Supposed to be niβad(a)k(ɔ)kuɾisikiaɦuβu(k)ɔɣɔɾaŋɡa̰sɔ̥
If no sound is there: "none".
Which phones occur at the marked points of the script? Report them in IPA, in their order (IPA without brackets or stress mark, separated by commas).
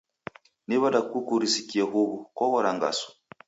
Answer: a, u, k